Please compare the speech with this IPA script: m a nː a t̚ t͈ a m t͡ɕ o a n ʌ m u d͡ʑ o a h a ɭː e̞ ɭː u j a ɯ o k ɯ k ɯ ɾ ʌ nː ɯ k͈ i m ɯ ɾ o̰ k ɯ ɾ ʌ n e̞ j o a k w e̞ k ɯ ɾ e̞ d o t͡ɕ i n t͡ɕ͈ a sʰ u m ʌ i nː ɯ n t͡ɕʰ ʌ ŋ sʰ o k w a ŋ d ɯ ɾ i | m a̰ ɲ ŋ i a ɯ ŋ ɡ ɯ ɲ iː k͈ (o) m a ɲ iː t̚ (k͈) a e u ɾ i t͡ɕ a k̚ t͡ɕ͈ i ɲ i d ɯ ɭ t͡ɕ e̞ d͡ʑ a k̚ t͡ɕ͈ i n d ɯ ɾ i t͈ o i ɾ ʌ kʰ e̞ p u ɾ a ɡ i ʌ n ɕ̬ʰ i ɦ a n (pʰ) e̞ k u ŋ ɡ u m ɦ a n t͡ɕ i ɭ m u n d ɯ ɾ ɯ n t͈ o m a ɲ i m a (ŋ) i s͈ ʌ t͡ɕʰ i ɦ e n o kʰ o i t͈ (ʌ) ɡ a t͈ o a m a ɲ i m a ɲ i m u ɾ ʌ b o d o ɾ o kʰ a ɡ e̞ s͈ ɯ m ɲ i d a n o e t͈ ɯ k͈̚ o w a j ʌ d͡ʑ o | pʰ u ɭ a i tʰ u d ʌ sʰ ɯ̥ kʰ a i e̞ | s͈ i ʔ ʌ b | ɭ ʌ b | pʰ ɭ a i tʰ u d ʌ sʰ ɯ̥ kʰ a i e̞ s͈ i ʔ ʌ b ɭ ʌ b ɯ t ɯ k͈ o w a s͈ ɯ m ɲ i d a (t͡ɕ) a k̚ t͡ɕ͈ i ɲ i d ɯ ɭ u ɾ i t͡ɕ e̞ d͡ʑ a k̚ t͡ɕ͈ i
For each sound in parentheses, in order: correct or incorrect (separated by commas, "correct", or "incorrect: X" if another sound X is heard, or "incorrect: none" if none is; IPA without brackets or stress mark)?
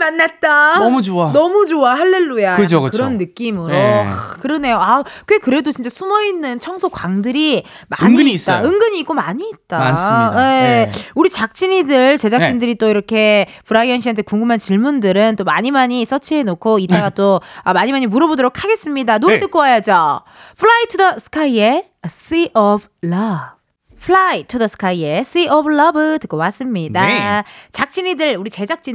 correct, incorrect: t͈, incorrect: tʰ, incorrect: ɲ, incorrect: a, correct